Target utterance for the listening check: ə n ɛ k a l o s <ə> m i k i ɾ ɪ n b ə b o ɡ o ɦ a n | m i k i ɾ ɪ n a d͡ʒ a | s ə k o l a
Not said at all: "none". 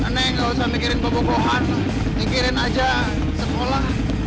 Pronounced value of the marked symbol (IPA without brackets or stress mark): a